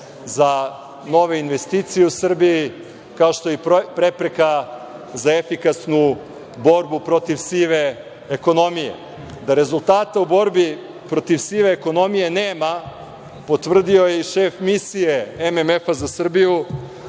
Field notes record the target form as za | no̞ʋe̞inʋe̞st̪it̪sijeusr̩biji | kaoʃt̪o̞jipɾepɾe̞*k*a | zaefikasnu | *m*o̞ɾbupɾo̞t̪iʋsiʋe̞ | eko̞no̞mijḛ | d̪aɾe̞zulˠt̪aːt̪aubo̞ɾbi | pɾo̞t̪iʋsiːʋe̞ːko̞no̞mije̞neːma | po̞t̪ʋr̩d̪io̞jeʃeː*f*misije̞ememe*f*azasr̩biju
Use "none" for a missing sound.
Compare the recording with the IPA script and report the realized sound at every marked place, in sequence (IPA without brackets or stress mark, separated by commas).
k, b, f, f